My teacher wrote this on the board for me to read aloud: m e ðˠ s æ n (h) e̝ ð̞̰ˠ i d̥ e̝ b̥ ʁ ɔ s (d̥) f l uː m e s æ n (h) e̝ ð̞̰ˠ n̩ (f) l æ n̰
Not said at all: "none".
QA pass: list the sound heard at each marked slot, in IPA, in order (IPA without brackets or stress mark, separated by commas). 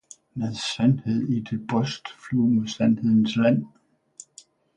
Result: h, d̥, h, s